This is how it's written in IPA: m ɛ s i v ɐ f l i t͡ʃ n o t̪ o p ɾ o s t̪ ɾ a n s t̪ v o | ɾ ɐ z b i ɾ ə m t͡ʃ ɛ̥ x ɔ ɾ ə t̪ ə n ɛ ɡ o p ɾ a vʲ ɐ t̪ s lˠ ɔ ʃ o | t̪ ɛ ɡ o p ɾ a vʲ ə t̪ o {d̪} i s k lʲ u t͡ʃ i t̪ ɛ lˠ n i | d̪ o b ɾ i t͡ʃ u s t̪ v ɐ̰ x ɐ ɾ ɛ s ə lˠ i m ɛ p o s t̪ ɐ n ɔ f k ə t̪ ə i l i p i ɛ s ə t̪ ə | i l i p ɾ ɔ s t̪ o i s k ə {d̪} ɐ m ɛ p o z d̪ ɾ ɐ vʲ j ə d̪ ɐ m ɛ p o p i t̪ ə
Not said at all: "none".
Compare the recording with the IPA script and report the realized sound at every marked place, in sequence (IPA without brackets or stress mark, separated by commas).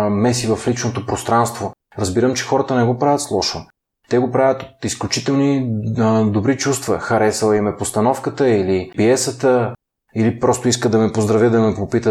t̪, d̪